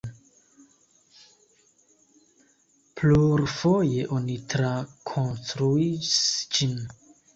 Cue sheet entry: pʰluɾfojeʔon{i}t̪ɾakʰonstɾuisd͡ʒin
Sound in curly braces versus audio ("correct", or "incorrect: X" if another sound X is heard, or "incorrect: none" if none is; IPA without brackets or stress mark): correct